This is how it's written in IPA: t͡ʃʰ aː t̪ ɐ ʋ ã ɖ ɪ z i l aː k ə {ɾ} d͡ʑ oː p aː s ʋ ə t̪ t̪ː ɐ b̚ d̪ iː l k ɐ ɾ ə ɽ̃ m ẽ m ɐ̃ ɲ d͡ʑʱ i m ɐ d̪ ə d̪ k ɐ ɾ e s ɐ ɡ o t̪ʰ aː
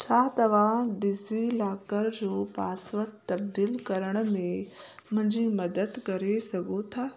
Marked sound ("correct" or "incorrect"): correct